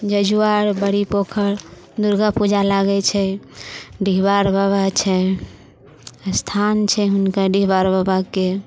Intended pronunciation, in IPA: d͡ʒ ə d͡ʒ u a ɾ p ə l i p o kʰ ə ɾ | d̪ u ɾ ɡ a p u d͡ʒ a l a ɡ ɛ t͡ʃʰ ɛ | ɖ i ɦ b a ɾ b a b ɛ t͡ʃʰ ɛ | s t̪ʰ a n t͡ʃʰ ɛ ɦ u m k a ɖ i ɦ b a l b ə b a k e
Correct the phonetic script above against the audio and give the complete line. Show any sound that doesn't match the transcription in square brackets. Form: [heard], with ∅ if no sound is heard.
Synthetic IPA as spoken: d͡ʒ ə d͡ʒ u a ɾ [b] ə [ɽ] i p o kʰ ə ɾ | d̪ u ɾ ɡ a p u d͡ʒ a l a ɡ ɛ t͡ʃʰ ɛ | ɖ i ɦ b a ɾ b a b [a] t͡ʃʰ ɛ | s t̪ʰ a n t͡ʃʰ ɛ ɦ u [n] k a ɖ i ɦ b a [ɾ] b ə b a k e

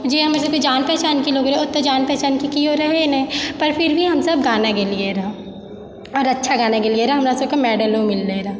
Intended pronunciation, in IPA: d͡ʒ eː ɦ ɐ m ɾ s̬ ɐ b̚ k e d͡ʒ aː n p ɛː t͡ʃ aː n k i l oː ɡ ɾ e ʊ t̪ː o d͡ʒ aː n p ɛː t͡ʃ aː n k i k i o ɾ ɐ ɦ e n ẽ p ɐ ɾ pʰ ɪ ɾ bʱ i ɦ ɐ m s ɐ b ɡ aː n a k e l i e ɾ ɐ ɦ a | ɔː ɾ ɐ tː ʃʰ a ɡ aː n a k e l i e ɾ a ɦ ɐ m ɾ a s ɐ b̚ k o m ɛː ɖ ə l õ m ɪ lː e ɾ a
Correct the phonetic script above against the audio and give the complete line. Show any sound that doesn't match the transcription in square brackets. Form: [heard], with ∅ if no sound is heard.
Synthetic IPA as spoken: d͡ʒ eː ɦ ɐ m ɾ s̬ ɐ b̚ k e d͡ʒ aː n p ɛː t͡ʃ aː n k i l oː ɡ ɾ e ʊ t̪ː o d͡ʒ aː n p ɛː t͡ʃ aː n k i k i o ɾ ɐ ɦ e n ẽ p ɐ ɾ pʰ ɪ ɾ bʱ i ɦ ɐ m s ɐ b ɡ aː n a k e l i e ɾ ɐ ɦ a | ɔː ɾ ɐ tː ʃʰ a ɡ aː n a k e l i e ɾ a ɦ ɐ m ɾ a s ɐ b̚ k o m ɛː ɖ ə l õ m ɪ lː e ɾ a

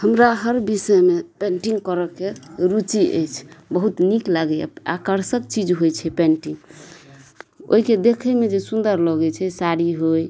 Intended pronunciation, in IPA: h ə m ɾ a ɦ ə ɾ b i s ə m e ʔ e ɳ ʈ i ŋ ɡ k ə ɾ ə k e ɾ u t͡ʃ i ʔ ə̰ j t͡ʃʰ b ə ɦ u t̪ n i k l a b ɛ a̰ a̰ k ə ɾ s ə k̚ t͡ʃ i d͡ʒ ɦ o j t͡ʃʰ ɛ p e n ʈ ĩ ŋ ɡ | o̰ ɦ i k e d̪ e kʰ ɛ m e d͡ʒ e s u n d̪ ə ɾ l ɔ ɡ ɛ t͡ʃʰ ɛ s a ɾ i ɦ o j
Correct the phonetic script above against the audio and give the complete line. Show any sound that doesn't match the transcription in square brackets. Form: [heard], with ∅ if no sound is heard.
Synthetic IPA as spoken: h ə m ɾ a ɦ ə ɾ b i s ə m e [p] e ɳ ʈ i ŋ ɡ k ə ɾ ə k e ɾ u t͡ʃ i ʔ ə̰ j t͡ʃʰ b ə ɦ u t̪ n i k l a [ɡ] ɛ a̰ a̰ k ə ɾ s ə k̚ t͡ʃ i d͡ʒ ɦ o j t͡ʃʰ ɛ p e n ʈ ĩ ŋ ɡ | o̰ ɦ i k e d̪ e kʰ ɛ m e d͡ʒ e s u n d̪ ə ɾ l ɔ ɡ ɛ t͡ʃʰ ɛ s a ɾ i ɦ o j

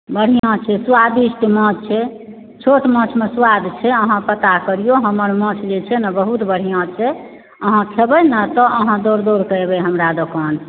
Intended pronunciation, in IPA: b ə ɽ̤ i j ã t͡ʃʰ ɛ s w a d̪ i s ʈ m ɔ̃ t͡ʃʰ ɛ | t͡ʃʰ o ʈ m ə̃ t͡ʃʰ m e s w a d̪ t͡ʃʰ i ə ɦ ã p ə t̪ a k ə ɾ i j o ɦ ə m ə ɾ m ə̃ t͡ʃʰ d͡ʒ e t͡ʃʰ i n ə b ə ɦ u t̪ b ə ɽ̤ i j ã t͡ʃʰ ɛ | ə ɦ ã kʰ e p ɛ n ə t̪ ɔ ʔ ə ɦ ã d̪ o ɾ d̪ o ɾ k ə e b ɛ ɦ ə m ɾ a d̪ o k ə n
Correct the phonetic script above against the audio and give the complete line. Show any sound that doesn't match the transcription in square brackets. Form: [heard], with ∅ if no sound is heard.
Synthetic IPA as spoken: b ə ɽ̤ i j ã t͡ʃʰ ɛ s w a d̪ i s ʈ m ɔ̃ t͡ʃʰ ɛ | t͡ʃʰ o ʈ m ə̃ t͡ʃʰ m e s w a d̪ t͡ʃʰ [ɛ] ə ɦ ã p ə t̪ a k ə ɾ i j o ɦ ə m ə ɾ m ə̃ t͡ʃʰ d͡ʒ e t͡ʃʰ [ɛ] n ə b ə ɦ u t̪ b ə ɽ̤ i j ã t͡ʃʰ ɛ | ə ɦ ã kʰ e [b] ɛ n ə t̪ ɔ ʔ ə ɦ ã d̪ o ɾ d̪ o ɾ k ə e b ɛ ɦ ə m ɾ a d̪ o k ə n

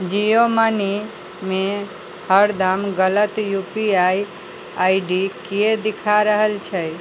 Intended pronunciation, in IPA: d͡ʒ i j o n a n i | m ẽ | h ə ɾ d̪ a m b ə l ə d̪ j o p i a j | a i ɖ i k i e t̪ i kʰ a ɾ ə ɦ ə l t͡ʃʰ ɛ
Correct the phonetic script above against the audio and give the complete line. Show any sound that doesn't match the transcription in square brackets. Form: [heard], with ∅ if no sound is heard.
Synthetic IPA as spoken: d͡ʒ i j o [m] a n i | m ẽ | h ə ɾ d̪ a m [ɡ] ə l ə [t̪] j [u] p i a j | a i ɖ i k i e [d̪] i kʰ a ɾ ə ɦ ə l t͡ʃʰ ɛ

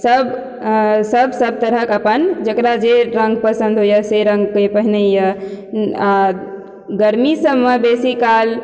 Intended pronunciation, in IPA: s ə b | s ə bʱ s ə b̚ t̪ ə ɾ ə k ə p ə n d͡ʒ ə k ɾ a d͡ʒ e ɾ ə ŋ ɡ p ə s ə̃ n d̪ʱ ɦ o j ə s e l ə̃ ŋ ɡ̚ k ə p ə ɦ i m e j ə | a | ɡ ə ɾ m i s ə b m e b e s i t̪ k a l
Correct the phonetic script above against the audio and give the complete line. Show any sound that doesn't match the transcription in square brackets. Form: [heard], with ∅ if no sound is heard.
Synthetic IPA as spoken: s ə b | s ə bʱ s ə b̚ t̪ ə ɾ ə k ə p ə n d͡ʒ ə k ɾ a d͡ʒ e ɾ ə ŋ ɡ p ə s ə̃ n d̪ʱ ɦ o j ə s e [ɾ] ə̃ ŋ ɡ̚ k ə p ə ɦ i [n] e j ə | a | ɡ ə ɾ m i s ə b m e b e s i [∅] k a l

